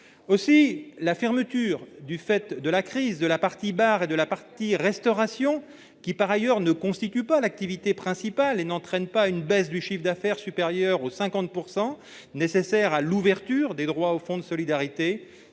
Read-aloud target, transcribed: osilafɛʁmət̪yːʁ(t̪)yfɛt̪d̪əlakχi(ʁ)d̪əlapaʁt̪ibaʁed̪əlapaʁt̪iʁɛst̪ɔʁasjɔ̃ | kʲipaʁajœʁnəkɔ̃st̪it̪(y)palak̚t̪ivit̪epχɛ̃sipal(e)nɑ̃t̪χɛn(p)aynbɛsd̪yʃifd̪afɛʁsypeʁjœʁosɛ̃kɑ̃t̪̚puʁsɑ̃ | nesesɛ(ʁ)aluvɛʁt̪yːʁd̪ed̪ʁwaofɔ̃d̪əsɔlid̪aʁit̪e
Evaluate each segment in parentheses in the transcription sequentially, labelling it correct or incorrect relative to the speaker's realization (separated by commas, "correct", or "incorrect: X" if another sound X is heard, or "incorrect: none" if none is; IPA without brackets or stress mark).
incorrect: d̪, incorrect: z, correct, correct, correct, correct